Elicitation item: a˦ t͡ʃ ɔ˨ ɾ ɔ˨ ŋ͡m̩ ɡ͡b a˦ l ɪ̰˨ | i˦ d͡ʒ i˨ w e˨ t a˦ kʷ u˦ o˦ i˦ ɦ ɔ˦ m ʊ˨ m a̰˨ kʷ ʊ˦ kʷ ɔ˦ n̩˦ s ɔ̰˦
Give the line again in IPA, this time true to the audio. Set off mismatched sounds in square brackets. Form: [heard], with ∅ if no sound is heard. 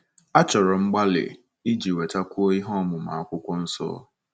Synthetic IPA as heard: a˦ t͡ʃ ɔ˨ ɾ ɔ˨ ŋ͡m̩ ɡ͡b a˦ l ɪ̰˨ | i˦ d͡ʒ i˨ w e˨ t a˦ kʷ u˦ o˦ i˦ ɦ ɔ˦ m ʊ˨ m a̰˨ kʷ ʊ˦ kʷ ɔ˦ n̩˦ s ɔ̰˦

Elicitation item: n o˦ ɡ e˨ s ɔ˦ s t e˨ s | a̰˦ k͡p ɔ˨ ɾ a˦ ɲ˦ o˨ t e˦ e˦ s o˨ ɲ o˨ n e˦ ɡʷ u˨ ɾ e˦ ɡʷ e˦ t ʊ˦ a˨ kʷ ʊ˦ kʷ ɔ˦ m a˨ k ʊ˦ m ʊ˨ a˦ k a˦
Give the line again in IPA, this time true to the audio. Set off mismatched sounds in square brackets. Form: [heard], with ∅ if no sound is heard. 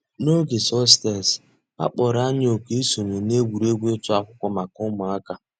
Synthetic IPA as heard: n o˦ ɡ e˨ s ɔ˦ s t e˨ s | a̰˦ k͡p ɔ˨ ɾ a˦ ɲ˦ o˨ [k] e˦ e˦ s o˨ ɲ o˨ n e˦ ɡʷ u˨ ɾ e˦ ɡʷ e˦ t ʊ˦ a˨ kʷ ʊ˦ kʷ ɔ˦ m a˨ k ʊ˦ m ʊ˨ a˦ k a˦

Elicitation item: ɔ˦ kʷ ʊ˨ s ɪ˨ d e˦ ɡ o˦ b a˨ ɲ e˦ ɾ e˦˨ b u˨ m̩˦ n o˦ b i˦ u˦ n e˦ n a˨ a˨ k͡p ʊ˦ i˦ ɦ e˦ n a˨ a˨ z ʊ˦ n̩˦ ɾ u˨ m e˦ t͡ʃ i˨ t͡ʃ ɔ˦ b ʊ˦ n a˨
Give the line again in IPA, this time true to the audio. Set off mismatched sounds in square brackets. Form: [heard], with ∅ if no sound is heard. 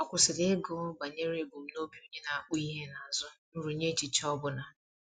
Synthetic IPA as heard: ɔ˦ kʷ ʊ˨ s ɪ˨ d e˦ ɡ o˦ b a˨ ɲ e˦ ɾ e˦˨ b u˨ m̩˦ n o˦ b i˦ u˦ [ɲ] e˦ n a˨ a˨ k͡p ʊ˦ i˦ ɦ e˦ n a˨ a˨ z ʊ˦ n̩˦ ɾ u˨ [ɲ] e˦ t͡ʃ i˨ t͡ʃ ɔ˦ b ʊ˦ n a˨

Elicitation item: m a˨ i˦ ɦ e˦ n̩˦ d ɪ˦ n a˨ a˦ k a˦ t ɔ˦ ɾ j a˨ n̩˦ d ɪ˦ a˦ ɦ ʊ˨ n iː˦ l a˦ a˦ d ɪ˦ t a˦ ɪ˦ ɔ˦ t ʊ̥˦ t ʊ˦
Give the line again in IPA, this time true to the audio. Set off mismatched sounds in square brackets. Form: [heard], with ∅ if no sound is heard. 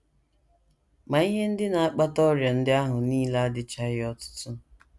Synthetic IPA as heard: m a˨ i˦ ɦ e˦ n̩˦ d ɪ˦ n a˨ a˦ [k͡p] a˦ t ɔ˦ ɾ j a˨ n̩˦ d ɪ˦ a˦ ɦ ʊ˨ n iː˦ l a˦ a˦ d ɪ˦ [t͡ʃ] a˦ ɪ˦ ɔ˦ t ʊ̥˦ t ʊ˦

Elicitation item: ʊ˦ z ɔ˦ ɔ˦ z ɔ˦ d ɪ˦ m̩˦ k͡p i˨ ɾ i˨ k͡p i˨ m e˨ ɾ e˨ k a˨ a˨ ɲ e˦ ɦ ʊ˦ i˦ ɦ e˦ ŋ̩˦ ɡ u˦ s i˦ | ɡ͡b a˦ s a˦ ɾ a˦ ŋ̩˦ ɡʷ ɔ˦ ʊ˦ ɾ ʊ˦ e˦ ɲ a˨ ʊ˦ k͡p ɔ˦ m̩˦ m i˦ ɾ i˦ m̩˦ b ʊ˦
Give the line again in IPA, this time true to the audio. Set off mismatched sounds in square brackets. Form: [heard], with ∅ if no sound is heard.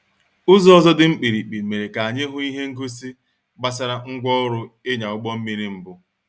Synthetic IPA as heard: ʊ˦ z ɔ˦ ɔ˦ z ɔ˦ d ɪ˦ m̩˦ k͡p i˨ ɾ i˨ k͡p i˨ m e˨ ɾ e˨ k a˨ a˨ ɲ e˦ ɦ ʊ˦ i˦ ɦ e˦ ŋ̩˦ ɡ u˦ s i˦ | ɡ͡b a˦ s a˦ ɾ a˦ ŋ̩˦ ɡʷ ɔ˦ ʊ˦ ɾ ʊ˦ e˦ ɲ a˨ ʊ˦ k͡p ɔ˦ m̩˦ m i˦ ɾ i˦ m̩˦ b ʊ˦

